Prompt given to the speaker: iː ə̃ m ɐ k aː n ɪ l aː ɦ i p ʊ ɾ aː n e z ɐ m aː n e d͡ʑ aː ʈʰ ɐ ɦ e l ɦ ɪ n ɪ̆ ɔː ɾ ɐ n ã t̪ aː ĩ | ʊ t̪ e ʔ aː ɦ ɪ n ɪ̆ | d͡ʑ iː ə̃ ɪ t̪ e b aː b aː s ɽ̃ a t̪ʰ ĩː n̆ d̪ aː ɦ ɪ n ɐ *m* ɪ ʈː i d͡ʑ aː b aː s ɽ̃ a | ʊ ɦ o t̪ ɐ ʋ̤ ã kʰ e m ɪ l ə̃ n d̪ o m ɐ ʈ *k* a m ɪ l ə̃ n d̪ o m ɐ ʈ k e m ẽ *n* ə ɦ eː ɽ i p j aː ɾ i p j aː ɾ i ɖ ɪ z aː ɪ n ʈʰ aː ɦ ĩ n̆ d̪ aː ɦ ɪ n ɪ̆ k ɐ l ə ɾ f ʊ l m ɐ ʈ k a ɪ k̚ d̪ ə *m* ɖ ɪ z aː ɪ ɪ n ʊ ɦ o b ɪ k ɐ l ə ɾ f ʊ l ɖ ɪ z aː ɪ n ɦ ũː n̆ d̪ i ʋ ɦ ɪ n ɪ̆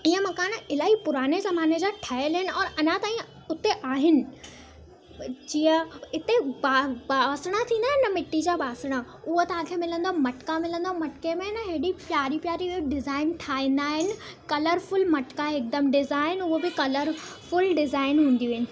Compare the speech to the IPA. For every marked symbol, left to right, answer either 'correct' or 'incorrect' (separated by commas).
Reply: correct, correct, correct, correct